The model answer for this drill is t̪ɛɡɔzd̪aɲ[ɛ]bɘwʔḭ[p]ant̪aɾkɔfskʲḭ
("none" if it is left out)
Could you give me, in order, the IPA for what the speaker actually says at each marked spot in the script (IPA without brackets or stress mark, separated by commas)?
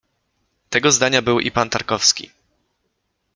a, p